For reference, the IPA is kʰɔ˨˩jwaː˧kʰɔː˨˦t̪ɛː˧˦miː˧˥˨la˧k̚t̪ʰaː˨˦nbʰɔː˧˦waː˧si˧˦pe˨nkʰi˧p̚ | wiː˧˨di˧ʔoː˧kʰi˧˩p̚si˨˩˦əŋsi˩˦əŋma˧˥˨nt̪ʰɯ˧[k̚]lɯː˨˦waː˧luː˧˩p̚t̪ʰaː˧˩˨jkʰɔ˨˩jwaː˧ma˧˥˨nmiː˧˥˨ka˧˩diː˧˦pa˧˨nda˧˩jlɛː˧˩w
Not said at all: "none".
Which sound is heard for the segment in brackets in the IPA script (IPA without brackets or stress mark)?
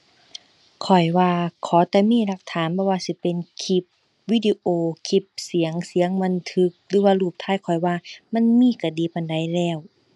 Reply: k̚